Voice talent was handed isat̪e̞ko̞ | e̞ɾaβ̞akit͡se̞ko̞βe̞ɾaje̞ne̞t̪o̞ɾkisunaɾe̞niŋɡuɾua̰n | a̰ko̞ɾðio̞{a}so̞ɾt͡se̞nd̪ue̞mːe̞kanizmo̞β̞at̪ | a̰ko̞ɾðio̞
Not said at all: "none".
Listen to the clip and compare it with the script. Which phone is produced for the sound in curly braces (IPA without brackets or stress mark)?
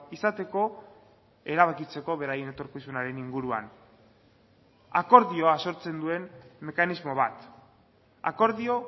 a